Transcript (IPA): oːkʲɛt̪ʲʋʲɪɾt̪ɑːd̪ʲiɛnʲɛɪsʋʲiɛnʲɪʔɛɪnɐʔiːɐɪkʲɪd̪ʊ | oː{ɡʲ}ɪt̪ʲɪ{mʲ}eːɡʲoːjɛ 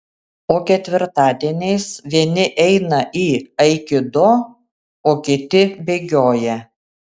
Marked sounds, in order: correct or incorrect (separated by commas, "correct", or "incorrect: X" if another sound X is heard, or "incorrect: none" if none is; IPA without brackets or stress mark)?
incorrect: kʲ, incorrect: bʲ